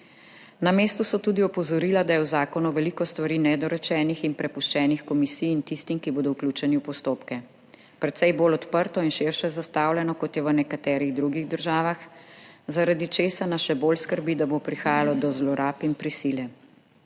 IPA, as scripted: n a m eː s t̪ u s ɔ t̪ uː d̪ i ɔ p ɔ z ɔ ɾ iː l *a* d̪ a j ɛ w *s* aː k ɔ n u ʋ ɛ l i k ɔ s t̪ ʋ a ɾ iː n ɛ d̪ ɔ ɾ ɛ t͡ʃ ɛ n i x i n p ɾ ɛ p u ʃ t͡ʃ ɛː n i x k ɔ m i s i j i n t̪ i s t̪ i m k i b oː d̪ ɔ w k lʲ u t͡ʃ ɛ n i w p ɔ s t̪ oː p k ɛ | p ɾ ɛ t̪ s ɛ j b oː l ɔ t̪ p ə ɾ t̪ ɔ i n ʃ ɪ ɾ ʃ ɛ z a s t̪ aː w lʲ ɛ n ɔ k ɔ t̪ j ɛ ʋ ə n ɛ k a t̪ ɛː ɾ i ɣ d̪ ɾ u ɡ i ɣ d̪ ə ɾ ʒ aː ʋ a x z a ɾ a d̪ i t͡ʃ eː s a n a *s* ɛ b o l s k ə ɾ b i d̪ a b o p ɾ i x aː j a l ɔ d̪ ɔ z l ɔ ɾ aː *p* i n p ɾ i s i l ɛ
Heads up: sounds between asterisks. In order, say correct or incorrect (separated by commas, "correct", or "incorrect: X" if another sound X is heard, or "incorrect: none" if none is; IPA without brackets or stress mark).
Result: correct, incorrect: z, incorrect: ʃ, correct